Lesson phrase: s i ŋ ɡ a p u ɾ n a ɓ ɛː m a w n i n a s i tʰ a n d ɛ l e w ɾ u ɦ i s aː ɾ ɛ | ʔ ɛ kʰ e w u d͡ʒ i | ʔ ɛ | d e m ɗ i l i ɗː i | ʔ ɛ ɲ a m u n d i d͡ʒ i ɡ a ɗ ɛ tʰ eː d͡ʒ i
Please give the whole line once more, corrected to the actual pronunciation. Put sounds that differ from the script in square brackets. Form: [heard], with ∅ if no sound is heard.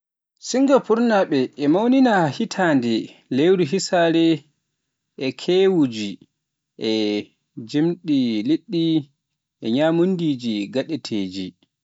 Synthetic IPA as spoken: s i ŋ ɡ a p u ɾ n a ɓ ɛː m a w n i n a [h] i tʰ a n d ɛ l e w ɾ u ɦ i s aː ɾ ɛ | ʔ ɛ kʰ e w u d͡ʒ i | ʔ ɛ | [d͡ʒ] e m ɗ i l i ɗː i | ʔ ɛ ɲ a m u n d i d͡ʒ i ɡ a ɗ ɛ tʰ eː d͡ʒ i